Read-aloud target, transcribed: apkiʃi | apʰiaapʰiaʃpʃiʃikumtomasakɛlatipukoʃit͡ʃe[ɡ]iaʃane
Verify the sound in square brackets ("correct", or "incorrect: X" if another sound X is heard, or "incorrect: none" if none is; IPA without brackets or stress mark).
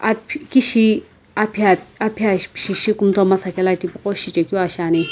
incorrect: k